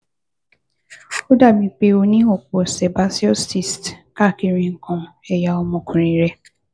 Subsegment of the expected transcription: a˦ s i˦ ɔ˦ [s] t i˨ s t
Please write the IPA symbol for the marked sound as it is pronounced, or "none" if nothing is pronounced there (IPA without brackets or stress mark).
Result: s